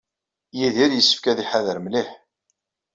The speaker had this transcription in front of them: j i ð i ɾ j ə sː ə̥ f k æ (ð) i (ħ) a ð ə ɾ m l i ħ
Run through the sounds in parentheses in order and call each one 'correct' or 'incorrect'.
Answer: correct, correct

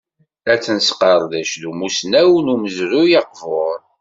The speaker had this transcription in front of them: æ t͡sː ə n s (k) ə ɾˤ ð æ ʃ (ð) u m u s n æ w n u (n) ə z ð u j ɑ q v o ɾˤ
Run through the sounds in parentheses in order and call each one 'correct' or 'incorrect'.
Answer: incorrect, correct, incorrect

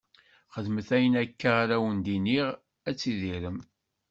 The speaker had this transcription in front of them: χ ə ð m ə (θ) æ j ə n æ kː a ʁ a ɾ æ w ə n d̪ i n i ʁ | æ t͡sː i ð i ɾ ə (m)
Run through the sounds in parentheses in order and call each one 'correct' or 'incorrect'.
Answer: correct, correct

